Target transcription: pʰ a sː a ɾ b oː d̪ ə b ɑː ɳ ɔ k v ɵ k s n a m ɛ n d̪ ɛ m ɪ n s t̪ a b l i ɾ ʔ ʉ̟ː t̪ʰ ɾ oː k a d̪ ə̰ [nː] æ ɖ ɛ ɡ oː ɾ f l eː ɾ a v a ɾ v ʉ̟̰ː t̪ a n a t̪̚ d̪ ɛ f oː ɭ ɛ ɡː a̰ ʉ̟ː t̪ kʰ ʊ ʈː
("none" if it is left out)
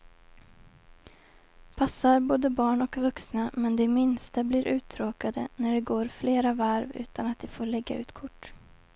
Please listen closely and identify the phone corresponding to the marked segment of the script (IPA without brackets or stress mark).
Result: n